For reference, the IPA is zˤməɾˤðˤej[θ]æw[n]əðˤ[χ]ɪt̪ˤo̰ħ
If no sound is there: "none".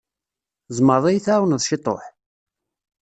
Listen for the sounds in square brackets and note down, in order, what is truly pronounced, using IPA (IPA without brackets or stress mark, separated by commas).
θ, n, ʃ